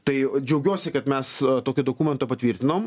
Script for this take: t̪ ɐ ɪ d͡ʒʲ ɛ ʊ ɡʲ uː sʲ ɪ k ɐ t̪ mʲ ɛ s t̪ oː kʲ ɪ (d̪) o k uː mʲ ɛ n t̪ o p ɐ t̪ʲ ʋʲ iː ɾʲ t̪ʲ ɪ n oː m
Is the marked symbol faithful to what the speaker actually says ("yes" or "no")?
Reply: yes